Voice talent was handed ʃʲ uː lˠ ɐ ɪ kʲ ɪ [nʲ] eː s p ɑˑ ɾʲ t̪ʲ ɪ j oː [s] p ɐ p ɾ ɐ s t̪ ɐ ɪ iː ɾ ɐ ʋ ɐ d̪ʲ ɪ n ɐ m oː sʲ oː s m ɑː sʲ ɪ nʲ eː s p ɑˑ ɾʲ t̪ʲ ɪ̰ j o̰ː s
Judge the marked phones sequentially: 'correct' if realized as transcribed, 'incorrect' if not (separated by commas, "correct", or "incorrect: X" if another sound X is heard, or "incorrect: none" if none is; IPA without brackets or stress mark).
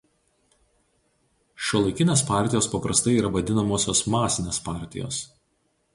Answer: correct, correct